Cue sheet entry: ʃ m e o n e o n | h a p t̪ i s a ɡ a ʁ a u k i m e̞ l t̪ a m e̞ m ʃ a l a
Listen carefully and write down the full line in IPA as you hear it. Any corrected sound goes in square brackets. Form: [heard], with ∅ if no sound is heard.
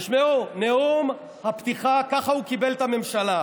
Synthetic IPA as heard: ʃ m e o n e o [m] | h a p t̪ i [χ] a [k] a [χ] a u k i [b] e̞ l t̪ a m e̞ m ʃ a l a